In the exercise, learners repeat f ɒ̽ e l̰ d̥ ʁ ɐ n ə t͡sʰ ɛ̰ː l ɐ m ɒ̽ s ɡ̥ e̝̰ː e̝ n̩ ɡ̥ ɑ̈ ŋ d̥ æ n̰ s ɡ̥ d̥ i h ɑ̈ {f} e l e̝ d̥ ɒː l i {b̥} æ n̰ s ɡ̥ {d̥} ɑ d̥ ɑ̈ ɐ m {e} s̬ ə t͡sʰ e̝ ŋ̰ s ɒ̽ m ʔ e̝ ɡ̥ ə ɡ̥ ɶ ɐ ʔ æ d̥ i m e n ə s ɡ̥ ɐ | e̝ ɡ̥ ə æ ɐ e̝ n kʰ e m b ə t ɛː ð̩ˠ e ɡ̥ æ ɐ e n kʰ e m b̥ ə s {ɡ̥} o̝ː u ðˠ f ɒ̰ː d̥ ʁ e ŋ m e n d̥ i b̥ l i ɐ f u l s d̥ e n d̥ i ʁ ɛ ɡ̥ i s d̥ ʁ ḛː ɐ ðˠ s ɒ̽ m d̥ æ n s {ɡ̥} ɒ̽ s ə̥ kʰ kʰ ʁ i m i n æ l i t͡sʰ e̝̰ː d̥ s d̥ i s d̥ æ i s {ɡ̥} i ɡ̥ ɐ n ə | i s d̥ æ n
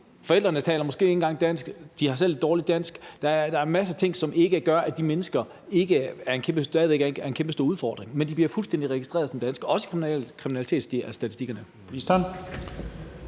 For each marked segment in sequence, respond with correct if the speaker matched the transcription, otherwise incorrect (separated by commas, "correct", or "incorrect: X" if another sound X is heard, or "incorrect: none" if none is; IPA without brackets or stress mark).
incorrect: s, incorrect: d̥, correct, incorrect: æ, incorrect: d̥, correct, incorrect: d̥